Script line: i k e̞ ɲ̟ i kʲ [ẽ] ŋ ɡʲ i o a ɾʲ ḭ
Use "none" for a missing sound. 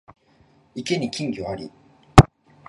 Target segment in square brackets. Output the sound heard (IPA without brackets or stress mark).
ĩ